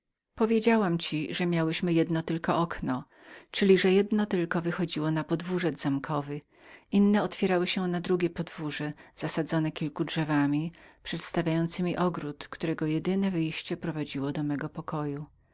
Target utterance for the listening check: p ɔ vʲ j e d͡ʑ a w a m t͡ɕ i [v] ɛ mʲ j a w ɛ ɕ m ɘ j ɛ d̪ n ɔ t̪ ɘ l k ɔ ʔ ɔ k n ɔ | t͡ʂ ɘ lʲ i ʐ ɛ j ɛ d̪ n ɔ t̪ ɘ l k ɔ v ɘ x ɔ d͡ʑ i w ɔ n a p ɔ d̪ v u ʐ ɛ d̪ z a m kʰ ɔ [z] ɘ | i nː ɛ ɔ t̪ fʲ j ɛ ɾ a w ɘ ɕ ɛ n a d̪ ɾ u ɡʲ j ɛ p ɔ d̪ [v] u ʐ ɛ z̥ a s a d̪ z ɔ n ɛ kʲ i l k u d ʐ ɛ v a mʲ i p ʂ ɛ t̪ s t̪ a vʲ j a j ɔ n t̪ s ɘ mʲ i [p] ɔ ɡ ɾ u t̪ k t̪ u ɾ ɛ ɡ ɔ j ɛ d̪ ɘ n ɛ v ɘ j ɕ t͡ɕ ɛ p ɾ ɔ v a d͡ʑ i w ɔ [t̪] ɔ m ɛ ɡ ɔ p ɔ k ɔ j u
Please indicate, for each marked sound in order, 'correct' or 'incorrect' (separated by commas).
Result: incorrect, incorrect, correct, incorrect, incorrect